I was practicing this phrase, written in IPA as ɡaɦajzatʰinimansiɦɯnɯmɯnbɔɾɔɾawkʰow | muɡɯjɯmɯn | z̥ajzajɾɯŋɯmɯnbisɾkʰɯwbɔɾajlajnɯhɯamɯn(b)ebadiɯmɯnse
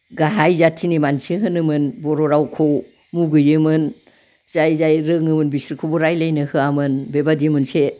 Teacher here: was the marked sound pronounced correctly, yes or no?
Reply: yes